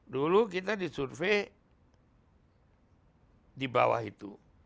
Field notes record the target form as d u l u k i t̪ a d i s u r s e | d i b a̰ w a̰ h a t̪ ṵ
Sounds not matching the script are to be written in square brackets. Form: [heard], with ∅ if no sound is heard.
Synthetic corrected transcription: d u l u k i t̪ a d i s u r [f] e | d i b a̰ w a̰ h [i] t̪ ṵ